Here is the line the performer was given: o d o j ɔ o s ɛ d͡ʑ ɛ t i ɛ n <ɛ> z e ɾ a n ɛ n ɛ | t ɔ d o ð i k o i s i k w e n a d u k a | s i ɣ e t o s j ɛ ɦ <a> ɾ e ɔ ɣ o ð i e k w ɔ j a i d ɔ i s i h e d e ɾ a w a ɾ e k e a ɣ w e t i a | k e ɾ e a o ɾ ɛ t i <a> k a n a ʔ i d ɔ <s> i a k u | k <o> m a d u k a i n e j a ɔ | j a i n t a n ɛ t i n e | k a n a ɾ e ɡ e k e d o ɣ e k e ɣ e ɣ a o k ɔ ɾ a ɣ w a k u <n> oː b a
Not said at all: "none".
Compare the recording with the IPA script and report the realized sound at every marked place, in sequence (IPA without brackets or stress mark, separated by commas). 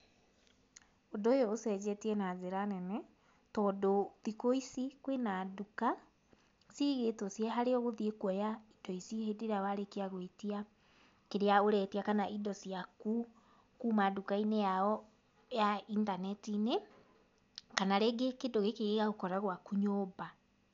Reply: a, a, a, s, u, ɲ